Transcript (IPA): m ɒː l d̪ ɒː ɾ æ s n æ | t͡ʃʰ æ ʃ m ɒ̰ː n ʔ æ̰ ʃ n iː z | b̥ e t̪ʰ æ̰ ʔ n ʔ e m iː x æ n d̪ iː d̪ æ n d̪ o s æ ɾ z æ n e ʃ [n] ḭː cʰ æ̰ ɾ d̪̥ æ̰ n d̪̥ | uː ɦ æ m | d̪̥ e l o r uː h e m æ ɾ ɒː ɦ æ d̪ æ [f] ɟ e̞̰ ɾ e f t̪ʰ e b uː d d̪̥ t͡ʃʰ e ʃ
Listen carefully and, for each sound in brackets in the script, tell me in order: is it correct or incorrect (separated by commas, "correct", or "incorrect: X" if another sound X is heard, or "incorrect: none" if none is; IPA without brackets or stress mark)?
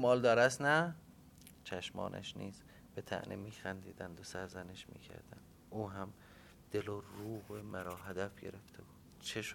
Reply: incorrect: m, correct